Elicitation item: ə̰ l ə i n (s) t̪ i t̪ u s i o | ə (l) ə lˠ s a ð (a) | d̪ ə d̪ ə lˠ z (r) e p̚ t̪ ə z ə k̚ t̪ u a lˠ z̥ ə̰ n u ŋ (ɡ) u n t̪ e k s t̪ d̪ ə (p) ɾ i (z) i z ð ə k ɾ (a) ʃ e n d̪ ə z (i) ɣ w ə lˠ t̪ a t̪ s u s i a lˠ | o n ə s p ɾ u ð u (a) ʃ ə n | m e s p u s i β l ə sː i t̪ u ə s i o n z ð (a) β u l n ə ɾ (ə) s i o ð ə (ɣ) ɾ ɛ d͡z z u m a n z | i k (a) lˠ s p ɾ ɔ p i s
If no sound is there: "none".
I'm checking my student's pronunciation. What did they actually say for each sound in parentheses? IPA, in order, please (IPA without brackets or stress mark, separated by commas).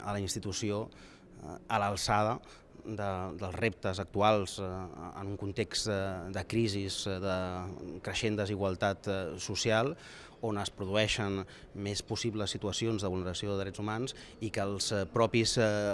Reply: s, l, ə, r, k, k, z, ə, i, ɛ, ə, ə, ð, ə